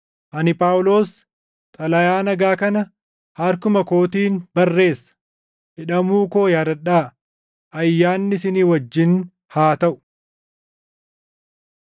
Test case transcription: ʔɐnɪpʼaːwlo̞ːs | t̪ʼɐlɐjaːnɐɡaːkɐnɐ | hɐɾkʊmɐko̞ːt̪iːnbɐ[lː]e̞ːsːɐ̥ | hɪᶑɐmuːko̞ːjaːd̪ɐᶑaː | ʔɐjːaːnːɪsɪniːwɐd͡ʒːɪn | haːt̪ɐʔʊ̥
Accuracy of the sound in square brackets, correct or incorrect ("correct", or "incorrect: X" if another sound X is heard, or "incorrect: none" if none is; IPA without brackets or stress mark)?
incorrect: rː